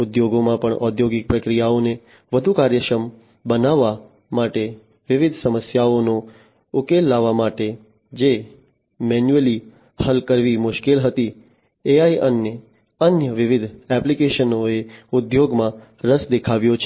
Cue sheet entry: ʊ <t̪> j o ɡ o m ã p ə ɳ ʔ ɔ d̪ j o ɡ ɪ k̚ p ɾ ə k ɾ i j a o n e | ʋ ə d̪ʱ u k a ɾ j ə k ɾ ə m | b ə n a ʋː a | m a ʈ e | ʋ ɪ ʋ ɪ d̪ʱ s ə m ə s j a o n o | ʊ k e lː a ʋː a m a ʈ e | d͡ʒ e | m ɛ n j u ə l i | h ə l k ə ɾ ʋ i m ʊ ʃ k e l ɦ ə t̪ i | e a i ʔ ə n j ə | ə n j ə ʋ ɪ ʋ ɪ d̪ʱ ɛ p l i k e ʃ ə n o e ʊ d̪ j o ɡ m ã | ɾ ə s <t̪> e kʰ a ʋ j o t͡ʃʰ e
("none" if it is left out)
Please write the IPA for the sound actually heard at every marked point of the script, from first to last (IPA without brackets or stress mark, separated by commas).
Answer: d̪, d̪